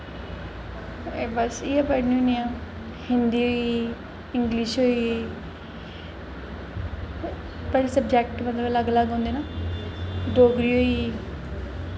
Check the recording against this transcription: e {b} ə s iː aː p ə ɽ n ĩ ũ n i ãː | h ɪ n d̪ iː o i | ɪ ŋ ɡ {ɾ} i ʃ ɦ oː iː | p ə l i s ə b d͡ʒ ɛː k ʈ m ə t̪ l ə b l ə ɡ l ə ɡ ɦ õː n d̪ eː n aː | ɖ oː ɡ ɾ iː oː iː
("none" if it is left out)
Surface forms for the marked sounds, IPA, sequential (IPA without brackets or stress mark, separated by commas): b, l